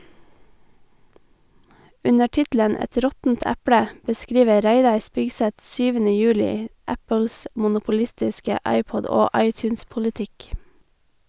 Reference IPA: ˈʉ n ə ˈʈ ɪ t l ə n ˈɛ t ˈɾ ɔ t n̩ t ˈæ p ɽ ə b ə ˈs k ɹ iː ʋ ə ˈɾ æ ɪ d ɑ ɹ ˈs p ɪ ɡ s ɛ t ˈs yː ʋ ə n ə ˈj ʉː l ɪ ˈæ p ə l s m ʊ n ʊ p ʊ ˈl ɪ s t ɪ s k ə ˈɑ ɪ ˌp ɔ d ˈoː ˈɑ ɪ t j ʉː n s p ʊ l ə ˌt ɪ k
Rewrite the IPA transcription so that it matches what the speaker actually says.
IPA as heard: ˈʉ n ə ˈʈ ɪ t l ə n ˈɛ t ˈɾ ɔ t n̩ t ˈæ p ɽ ə b ə ˈs k ɹ iː ʋ ə ˈɾ æ ɪ d ɑ ɹ ˈs p ɪ ɡ s ɛ t ˈs yː ʋ ə n ə ˈj ʉː l ɪ ˈæ p ə l s m ʊ n ʊ p ʊ ˈl ɪ s t ɪ s k ə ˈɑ ɪ ˌp ɔ d ˈoː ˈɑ ɪ t j ʉː n s p ʊ l ə ˌt ɪ k